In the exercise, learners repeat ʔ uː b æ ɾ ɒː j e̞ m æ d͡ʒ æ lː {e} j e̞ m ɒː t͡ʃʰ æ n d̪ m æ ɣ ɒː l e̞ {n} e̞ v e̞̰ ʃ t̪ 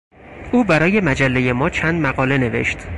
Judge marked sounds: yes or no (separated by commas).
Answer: yes, yes